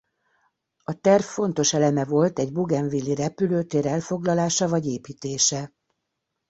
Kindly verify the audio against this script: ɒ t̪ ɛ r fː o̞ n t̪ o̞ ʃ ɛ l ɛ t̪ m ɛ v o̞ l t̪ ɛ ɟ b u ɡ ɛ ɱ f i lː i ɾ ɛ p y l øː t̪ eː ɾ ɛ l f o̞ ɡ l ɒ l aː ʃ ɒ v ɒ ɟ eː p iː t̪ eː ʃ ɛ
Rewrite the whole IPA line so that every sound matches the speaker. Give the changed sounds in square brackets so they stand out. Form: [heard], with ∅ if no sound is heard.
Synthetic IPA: ɒ t̪ ɛ r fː o̞ n t̪ o̞ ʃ ɛ l ɛ [∅] m ɛ v o̞ l t̪ ɛ ɟ b u ɡ ɛ ɱ [v] i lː i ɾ ɛ p y l øː t̪ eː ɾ ɛ l f o̞ ɡ l ɒ l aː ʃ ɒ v ɒ ɟ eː p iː t̪ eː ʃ ɛ